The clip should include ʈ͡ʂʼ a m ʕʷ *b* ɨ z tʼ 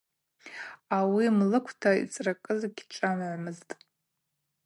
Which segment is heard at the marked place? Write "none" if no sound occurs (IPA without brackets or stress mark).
m